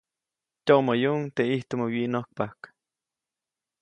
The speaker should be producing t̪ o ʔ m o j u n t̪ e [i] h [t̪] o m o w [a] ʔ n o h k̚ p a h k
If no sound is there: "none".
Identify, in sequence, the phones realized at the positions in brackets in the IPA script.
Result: i, t̪, i

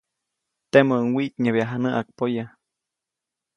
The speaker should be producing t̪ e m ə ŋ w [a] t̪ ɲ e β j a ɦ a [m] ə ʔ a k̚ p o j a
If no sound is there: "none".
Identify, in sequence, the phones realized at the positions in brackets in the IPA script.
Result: i, n

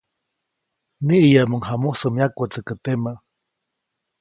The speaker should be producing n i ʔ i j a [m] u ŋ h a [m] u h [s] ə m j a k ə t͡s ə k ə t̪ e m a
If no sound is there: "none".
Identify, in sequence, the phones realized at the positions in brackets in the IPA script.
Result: m, m, s

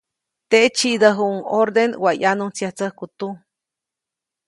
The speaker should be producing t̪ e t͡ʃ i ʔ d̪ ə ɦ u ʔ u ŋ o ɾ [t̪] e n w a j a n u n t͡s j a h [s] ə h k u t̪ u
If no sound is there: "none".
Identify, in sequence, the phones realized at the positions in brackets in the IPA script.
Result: d̪, t͡s

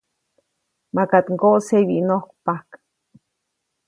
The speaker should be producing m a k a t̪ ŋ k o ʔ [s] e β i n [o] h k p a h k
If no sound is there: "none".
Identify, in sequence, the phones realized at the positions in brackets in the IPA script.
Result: s, o

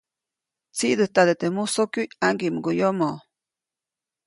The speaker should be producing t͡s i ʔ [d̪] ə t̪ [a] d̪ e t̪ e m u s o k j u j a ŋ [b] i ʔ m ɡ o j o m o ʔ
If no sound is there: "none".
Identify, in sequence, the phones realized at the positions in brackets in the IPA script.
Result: d̪, a, ɡ

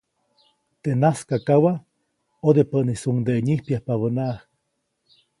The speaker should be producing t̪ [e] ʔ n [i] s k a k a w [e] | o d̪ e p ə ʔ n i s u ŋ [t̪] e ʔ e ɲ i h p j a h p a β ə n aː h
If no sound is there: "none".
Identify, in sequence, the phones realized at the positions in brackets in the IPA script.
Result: e, a, a, d̪

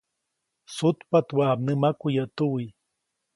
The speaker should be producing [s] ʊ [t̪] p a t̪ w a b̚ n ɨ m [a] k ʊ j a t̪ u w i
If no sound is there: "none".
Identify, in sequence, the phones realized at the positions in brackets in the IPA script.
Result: s, t̪, a

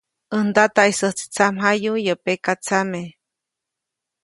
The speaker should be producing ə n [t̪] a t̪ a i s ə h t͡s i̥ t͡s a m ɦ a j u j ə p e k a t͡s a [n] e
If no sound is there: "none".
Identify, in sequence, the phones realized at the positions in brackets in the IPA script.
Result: d̪, m

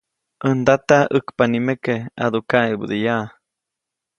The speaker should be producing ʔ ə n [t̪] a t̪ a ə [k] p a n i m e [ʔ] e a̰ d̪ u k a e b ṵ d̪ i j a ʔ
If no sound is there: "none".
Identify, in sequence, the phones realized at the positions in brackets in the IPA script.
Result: d̪, k, k

